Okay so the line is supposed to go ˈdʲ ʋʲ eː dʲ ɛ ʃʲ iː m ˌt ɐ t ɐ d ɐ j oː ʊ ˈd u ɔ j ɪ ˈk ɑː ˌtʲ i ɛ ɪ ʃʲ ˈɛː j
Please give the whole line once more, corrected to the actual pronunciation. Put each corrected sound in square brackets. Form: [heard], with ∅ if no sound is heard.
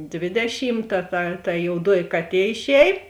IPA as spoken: ˈdʲ ʋʲ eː dʲ ɛ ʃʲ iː m ˌt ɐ t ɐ [t] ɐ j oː ʊ ˈd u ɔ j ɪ ˈk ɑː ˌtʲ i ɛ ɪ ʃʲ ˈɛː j